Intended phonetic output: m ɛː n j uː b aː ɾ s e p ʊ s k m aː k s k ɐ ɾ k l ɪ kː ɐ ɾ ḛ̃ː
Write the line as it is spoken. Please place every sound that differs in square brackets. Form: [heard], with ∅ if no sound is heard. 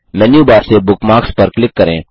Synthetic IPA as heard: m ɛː n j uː b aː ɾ s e [b] ʊ [∅] k m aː k s [p] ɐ ɾ k l ɪ kː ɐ ɾ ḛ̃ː